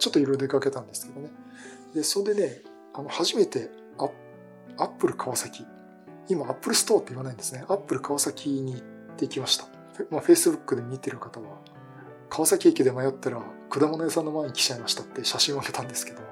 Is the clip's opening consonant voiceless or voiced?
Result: voiceless